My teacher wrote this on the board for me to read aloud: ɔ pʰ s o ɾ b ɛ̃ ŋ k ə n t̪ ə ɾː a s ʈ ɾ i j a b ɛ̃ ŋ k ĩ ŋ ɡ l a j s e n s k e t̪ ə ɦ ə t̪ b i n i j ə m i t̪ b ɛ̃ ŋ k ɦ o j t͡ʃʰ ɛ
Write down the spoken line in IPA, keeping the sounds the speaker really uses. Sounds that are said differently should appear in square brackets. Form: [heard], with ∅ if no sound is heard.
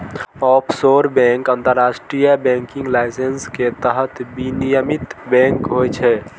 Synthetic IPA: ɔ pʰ s o ɾ b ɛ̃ ŋ k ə n t̪ ə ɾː a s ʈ ɾ i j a b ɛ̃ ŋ k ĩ ŋ ɡ l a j s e n s k e t̪ ə ɦ ə t̪ b i n i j ə m i t̪ b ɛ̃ ŋ k ɦ o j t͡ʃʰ ɛ